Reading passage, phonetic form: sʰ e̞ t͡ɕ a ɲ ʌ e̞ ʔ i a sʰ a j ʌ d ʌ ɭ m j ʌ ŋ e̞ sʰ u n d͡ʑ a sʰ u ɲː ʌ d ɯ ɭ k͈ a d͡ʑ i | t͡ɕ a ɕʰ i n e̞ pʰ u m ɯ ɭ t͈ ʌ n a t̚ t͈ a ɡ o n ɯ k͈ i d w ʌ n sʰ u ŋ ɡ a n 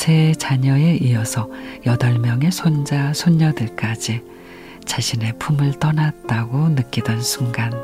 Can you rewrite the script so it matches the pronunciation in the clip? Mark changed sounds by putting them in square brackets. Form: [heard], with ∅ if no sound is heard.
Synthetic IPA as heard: sʰ e̞ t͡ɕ a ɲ ʌ e̞ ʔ i [ʌ] sʰ [ʌ] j ʌ d ʌ ɭ m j ʌ ŋ e̞ sʰ [o] n d͡ʑ a sʰ [o] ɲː ʌ d ɯ ɭ k͈ a d͡ʑ i | t͡ɕ a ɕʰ i n e̞ pʰ u m ɯ ɭ t͈ ʌ n a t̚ t͈ a ɡ o n ɯ k͈ i d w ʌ n sʰ u ŋ ɡ a n